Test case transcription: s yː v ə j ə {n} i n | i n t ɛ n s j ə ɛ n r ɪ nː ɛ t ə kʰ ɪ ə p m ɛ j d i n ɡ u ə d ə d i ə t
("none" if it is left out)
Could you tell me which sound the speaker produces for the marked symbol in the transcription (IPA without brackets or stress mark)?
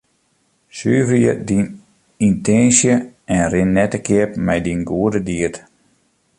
d